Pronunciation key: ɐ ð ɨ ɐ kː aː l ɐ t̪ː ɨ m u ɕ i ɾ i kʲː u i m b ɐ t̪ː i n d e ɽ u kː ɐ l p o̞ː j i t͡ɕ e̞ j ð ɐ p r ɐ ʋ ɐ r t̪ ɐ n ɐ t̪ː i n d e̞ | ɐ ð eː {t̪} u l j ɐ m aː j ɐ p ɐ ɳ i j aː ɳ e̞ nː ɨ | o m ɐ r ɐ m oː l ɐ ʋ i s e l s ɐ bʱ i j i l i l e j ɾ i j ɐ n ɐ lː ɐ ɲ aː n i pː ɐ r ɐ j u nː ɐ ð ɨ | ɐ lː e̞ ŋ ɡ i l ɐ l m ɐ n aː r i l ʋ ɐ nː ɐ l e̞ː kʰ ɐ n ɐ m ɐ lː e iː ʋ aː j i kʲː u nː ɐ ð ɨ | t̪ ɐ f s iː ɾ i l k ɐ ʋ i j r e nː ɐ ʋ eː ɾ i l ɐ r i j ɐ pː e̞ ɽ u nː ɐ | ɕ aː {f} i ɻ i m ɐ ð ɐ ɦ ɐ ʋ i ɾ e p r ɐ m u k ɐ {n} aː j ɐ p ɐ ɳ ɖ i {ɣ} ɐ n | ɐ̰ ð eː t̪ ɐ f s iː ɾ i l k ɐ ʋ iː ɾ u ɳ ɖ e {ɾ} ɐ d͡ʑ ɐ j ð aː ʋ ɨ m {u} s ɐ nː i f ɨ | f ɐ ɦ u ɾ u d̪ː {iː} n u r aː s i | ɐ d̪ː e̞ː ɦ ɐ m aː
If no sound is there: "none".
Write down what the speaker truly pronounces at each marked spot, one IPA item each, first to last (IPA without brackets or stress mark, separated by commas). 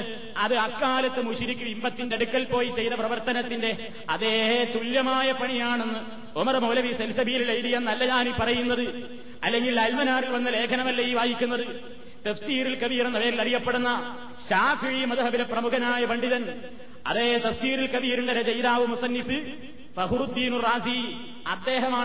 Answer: t̪, f, n, ð, ɾ, u, iː